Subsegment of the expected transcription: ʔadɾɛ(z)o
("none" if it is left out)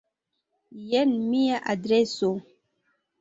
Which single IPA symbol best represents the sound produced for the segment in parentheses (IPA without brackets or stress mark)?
s